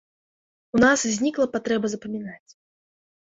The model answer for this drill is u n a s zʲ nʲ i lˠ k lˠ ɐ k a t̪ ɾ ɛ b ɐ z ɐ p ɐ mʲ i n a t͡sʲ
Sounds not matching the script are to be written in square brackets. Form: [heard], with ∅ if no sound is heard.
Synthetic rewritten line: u n a s zʲ nʲ i [∅] k lˠ ɐ [p] a t̪ ɾ ɛ b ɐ z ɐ p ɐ mʲ i n a t͡sʲ